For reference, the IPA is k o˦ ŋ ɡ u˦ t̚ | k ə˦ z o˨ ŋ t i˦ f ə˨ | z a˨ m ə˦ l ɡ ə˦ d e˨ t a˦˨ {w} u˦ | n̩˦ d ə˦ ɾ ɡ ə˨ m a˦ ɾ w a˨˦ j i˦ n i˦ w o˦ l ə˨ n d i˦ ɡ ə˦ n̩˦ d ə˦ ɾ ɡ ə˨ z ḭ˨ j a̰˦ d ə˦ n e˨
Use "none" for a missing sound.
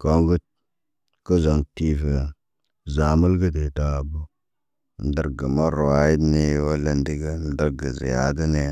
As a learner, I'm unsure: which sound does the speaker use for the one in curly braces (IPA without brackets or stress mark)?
b